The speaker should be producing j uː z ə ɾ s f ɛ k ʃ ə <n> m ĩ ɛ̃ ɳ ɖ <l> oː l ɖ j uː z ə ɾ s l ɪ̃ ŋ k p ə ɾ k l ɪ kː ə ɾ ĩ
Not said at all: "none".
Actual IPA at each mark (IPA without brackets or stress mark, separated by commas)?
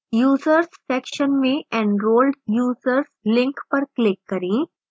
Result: n, ɾ